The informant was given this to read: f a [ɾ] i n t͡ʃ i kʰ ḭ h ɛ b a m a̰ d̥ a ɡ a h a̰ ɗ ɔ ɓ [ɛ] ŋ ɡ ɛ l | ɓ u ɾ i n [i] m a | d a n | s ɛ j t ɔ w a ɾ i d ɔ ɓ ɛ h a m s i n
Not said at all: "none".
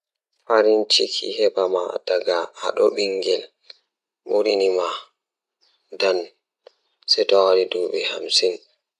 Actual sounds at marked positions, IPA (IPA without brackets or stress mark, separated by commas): ɾ, i, i